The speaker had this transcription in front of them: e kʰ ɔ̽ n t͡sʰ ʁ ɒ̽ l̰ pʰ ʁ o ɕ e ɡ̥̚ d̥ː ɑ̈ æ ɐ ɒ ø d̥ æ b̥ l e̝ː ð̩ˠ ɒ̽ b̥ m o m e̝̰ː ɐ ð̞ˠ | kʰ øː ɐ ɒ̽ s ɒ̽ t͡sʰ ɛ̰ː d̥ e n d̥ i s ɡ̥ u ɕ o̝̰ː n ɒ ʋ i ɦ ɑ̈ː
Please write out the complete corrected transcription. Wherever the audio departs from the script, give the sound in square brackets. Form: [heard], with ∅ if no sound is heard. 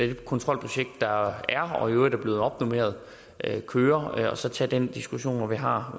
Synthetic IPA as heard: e kʰ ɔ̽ n t͡sʰ ʁ ɒ̽ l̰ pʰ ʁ o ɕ e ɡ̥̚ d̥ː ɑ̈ æ ɐ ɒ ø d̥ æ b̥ l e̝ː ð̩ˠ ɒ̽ b̥ [n] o m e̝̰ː ɐ ð̞ˠ | kʰ øː ɐ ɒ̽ s ɒ̽ t͡sʰ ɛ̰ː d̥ e n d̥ i s ɡ̥ u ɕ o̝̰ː n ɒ ʋ i ɦ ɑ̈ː